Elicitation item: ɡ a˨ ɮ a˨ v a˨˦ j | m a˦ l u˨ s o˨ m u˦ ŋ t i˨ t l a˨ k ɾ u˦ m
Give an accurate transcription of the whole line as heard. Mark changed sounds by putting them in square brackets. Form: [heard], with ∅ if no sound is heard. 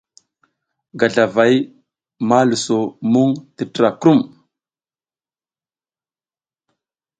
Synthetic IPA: ɡ a˨ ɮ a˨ v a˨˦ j | m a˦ l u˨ s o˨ m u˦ ŋ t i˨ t [ɾ] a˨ k ɾ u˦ m